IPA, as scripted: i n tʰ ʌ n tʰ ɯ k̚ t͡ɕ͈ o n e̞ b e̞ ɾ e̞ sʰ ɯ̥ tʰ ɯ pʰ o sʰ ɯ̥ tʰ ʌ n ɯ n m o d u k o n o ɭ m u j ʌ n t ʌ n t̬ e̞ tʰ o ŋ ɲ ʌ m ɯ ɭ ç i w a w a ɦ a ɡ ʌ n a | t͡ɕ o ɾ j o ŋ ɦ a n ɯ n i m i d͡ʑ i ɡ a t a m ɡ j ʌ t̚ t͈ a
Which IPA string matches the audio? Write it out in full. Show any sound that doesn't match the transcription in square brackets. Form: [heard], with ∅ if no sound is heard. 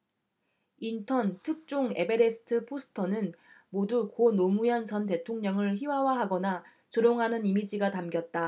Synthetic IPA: i n tʰ ʌ n tʰ ɯ k̚ t͡ɕ͈ o [ŋ] e̞ b e̞ ɾ e̞ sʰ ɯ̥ tʰ ɯ pʰ o sʰ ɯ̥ tʰ ʌ n ɯ n m o d u k o n o [∅] m u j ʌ n [t͡ɕ] ʌ n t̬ e̞ tʰ o ŋ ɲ ʌ [ŋ] ɯ ɭ ç i w a w a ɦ a ɡ ʌ n a | t͡ɕ o ɾ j o ŋ ɦ a n ɯ n i m i d͡ʑ i ɡ a t a m ɡ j ʌ t̚ t͈ a